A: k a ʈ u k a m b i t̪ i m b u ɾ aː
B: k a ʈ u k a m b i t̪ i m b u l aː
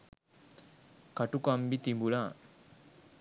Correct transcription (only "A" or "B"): B